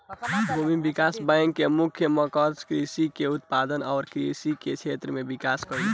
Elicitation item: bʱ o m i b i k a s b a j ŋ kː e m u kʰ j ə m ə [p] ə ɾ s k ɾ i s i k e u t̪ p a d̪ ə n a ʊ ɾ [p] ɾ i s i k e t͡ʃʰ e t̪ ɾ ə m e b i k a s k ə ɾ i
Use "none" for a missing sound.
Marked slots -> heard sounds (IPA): k, k

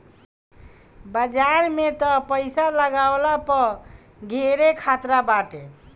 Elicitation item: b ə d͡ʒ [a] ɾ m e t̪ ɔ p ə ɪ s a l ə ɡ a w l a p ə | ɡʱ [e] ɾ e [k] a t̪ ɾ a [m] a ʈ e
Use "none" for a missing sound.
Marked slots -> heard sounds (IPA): a, e, kʰ, b

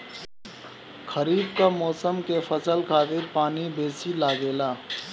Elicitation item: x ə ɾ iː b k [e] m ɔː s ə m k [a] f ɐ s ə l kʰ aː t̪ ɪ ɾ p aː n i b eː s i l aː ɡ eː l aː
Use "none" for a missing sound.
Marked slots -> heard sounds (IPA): a, e

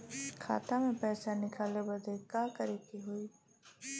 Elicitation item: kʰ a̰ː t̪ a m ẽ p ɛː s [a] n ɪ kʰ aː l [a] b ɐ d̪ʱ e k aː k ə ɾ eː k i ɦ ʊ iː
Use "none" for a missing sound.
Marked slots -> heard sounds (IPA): a, e

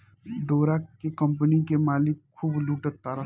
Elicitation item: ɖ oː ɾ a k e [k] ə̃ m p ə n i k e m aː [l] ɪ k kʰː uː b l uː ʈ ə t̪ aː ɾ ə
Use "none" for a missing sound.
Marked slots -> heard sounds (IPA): k, l

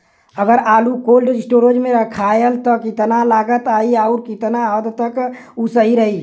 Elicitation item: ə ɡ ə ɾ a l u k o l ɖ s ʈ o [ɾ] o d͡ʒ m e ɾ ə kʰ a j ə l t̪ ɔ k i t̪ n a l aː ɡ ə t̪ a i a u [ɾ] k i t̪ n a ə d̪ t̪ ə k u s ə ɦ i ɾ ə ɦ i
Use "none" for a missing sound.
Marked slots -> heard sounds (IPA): ɾ, ɾ

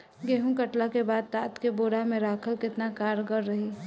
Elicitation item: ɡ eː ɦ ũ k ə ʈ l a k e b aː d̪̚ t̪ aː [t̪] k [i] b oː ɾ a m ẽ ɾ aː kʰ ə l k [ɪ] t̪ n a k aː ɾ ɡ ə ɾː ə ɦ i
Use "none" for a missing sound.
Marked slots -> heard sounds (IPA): t̪, e, ɪ

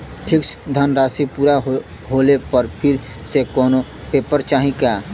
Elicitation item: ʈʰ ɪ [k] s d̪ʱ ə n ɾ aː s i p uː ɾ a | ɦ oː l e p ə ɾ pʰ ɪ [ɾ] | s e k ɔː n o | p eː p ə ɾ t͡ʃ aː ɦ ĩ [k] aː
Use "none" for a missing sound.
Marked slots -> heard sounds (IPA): k, ɾ, k

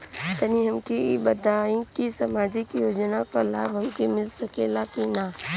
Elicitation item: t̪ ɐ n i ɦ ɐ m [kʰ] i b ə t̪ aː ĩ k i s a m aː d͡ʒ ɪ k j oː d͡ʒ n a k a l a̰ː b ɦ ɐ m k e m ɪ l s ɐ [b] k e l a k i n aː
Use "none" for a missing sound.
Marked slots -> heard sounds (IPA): k, none

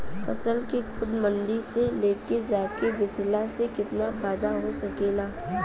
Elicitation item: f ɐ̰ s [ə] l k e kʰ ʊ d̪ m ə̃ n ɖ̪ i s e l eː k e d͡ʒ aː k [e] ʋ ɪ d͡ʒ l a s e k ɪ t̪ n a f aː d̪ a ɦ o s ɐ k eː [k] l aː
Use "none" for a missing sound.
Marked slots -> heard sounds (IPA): ə, e, none

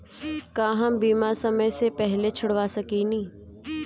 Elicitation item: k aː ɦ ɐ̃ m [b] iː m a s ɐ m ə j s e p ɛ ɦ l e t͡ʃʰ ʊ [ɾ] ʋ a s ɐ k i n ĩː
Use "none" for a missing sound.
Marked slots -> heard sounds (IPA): b, ɽ

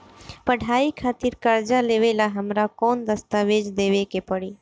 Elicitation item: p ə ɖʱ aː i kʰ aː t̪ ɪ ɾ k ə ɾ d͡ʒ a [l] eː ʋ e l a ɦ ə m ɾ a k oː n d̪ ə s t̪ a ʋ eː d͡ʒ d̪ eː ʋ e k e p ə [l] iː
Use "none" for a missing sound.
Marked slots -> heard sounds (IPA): l, ɽ

